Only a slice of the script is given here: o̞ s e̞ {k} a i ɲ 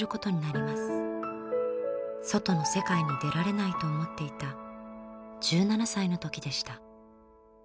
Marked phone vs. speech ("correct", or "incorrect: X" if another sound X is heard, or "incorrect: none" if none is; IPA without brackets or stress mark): correct